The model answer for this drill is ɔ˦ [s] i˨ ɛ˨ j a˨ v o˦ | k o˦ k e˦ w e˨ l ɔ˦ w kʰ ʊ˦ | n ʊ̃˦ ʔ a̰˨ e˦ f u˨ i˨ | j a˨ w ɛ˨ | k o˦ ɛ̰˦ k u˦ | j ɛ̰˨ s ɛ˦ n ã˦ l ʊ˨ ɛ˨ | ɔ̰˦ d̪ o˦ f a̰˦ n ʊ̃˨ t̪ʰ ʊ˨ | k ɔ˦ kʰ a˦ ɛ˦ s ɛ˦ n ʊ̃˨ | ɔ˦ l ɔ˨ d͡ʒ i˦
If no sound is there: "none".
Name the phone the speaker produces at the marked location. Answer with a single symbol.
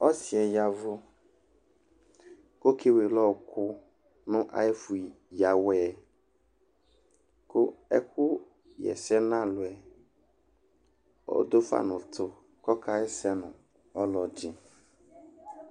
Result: s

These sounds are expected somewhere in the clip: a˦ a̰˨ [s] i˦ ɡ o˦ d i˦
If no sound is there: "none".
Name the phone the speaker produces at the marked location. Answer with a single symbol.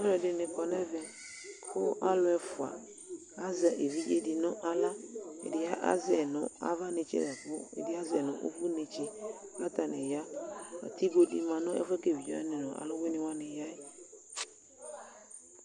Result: t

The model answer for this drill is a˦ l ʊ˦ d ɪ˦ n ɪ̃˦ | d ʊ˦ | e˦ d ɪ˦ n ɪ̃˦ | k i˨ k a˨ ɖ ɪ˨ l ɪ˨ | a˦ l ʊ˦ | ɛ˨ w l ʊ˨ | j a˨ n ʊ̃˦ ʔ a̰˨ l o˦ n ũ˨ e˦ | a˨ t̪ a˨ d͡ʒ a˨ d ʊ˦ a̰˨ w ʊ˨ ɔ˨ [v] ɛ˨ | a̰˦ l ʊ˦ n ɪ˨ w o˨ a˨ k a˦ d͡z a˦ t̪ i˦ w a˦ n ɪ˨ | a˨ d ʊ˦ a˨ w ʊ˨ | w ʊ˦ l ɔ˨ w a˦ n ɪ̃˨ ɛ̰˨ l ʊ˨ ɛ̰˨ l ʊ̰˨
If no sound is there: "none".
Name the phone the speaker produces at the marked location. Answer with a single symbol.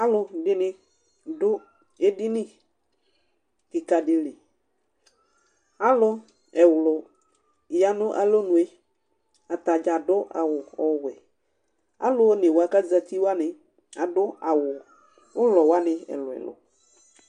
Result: w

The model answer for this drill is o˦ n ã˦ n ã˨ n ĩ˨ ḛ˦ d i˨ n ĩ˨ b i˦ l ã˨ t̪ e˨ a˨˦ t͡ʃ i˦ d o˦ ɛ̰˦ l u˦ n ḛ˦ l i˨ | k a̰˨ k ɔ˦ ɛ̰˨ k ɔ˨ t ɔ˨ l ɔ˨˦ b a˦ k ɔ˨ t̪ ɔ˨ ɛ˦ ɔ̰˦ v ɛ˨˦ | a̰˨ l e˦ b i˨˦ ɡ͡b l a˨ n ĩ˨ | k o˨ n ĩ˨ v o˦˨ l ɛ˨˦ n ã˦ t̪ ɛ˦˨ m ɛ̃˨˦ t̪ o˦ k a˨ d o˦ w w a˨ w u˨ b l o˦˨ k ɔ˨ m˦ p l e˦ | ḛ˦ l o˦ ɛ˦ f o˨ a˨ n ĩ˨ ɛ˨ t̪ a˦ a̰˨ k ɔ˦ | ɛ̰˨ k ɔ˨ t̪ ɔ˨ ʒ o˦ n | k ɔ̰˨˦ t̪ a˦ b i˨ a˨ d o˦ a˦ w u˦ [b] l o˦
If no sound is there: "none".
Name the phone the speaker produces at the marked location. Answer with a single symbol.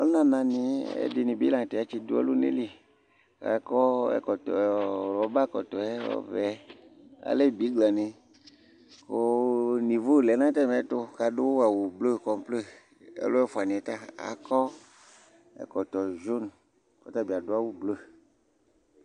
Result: b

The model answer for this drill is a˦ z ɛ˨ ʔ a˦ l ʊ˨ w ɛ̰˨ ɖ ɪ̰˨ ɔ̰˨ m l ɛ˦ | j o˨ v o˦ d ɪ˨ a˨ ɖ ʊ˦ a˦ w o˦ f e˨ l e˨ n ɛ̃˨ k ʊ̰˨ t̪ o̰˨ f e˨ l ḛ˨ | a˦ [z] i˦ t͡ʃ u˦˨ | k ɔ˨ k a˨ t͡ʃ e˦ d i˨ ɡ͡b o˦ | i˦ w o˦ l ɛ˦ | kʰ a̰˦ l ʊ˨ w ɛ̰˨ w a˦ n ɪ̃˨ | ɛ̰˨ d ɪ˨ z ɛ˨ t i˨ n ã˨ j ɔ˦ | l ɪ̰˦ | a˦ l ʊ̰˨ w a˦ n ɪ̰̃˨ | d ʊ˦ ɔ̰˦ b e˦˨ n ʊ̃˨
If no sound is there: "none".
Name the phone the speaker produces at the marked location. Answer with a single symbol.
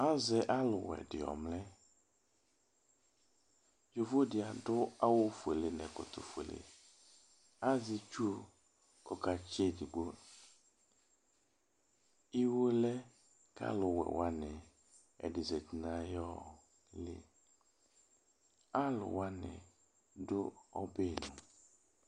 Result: z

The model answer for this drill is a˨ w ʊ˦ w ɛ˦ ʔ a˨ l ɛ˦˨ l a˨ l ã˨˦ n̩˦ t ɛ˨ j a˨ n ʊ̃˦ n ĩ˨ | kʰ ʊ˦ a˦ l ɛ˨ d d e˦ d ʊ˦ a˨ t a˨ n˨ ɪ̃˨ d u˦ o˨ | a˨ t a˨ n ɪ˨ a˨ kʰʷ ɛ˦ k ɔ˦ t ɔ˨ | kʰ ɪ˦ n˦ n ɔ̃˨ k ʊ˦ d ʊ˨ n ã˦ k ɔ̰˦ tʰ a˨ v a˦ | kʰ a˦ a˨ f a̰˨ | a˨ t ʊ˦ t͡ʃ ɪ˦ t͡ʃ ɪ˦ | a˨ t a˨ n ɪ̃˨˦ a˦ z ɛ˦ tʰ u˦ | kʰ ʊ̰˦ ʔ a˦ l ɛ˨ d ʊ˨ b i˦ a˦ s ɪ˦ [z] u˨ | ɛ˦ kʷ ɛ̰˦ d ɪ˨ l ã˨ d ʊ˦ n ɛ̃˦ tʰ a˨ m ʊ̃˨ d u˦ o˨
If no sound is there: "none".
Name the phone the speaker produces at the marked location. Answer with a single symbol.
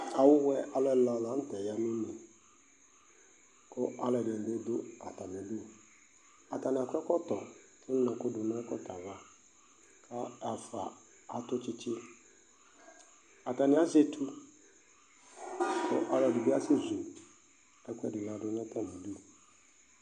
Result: z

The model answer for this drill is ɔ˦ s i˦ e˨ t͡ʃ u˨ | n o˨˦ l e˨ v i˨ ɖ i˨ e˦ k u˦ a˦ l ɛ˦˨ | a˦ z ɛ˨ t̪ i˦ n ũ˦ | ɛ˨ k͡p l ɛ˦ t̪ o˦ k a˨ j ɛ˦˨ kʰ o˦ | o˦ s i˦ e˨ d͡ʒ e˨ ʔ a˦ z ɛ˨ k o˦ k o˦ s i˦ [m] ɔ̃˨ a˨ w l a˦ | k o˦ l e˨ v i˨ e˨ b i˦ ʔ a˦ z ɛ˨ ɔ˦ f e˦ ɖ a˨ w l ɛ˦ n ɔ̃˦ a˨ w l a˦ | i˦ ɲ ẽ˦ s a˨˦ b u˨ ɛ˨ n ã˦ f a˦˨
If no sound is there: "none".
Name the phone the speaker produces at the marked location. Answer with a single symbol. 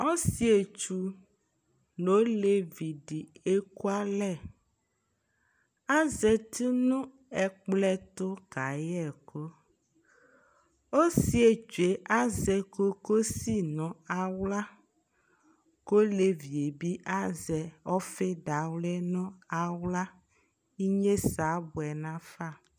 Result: n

